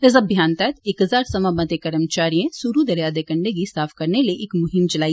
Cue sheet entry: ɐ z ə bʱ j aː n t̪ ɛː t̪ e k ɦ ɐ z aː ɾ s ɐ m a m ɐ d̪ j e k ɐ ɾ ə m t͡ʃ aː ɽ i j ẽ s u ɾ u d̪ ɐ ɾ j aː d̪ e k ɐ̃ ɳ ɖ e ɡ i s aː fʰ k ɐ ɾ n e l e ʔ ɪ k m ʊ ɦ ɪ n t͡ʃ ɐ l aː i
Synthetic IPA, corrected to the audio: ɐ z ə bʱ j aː n t̪ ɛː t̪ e k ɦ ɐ z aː ɾ s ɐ m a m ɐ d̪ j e k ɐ ɾ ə m t͡ʃ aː ɾ i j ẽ s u ɾ u d̪ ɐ ɾ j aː d̪ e k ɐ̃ ɳ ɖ e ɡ i s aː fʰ k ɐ ɾ n e l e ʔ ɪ k m ʊ ɦ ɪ m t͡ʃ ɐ l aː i